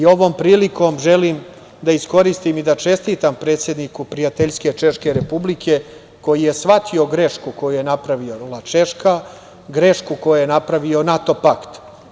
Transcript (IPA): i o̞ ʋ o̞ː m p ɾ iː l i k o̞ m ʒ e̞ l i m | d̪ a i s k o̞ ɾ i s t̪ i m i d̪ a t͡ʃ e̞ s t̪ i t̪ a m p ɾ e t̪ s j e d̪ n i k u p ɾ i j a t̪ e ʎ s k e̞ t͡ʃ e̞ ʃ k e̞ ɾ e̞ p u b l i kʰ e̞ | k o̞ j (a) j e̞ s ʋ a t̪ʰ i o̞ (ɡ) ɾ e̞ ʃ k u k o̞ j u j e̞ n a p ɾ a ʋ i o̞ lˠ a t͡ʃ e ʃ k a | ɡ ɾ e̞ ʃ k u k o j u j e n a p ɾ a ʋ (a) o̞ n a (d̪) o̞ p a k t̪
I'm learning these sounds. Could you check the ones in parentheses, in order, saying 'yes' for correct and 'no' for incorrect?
no, yes, no, no

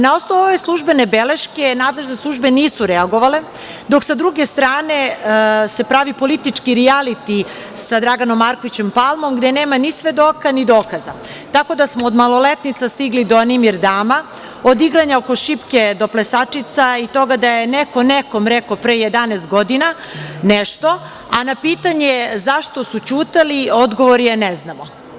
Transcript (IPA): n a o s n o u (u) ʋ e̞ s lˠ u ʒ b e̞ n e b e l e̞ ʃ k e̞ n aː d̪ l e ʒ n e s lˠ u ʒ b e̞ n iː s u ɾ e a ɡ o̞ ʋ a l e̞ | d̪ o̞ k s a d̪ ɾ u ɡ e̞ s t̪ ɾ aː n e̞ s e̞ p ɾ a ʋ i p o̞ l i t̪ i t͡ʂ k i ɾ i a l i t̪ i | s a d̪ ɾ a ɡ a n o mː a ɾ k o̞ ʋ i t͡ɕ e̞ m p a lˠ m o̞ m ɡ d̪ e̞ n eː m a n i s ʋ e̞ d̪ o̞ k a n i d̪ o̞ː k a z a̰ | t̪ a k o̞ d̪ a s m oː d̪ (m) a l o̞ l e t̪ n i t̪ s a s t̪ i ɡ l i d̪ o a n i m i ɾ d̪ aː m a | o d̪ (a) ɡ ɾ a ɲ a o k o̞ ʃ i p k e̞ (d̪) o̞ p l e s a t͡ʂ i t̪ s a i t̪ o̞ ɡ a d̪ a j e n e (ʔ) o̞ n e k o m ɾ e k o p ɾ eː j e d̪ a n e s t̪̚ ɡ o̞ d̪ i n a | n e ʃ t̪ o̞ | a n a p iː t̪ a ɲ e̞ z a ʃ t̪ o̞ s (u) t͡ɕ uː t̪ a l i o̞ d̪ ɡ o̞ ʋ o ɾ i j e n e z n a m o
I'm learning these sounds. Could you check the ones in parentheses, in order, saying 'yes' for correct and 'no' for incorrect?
no, yes, no, yes, no, yes

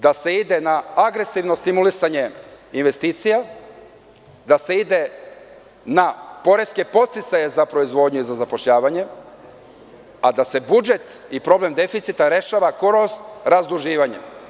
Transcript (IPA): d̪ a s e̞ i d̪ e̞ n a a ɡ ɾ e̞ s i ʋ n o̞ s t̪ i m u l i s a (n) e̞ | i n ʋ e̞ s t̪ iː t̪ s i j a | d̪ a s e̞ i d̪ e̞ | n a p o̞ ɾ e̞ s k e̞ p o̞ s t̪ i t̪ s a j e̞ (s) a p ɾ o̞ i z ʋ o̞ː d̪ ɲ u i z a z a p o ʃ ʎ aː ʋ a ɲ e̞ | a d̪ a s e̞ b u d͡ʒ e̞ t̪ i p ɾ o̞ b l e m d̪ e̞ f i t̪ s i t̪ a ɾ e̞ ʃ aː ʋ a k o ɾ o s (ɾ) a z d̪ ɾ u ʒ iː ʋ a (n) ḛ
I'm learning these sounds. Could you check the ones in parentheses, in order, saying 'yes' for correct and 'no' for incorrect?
no, no, yes, no

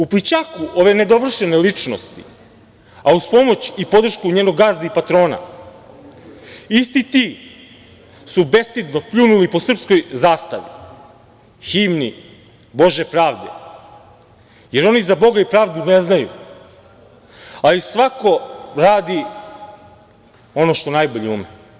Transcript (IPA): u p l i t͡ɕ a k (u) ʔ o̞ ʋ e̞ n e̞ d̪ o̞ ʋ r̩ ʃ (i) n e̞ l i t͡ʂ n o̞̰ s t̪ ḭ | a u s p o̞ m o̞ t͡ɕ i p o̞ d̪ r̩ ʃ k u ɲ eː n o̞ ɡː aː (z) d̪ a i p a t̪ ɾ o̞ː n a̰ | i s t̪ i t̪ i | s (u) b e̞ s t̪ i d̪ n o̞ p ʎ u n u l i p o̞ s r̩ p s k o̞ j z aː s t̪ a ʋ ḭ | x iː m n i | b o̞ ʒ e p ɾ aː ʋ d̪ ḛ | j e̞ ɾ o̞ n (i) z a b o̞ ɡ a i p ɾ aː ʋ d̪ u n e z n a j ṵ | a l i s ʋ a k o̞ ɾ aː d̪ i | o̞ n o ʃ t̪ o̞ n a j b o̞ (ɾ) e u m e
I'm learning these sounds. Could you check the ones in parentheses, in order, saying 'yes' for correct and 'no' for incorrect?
yes, no, yes, yes, yes, no

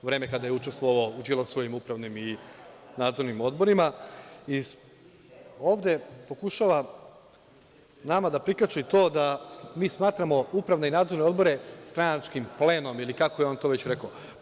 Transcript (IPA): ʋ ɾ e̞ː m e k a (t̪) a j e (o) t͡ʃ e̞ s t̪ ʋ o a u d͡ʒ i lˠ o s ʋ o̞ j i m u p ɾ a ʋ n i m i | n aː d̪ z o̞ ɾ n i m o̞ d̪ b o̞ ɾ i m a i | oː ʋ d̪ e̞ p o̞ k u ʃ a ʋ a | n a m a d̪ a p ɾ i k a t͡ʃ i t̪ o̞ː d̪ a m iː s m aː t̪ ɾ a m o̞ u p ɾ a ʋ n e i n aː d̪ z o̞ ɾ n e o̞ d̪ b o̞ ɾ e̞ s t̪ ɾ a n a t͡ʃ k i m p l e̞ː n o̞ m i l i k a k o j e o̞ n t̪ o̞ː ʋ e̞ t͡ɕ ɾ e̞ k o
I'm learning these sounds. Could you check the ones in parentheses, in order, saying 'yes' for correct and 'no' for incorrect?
no, no

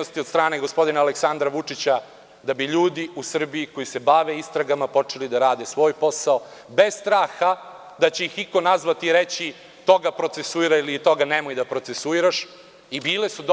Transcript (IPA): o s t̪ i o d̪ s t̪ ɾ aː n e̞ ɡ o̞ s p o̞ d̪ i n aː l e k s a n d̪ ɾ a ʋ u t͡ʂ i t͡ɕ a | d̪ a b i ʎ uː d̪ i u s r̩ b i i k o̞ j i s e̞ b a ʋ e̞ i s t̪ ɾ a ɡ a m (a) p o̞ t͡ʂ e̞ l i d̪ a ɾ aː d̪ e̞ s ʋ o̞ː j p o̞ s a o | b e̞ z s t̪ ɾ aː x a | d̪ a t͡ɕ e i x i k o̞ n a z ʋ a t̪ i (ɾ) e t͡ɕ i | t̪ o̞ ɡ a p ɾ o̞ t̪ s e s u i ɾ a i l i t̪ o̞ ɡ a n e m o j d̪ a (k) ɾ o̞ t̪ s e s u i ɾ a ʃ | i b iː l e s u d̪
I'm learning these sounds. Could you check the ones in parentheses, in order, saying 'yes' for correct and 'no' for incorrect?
yes, yes, no

